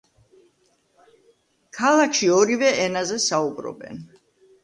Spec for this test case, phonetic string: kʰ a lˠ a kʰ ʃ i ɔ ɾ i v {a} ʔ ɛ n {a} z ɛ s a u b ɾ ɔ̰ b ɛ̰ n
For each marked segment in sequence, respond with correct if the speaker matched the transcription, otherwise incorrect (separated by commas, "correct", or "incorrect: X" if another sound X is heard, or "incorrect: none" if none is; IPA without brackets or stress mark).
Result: incorrect: ɛ, correct